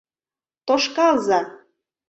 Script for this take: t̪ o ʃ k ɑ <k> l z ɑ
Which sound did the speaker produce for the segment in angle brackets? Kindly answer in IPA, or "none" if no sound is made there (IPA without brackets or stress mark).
none